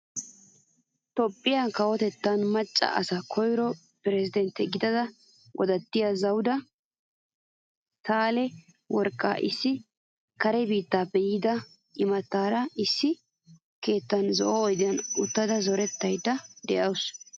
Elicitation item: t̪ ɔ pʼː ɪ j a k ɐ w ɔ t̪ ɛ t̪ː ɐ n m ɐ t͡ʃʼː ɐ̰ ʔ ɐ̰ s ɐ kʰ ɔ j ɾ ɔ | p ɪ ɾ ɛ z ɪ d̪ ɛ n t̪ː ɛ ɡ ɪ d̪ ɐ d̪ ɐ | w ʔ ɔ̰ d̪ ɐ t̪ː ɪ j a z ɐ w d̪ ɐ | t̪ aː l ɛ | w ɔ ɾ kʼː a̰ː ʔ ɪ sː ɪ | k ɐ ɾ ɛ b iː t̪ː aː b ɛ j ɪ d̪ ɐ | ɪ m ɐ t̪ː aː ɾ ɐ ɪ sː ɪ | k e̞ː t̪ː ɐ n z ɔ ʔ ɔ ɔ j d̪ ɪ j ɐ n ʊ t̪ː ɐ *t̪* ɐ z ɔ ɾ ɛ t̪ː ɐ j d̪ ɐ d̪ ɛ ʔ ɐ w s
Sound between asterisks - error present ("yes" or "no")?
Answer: yes